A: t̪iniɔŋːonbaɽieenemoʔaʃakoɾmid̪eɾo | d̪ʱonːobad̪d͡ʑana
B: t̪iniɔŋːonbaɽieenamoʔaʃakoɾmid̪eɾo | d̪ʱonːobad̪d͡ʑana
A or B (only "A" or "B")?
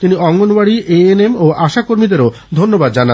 A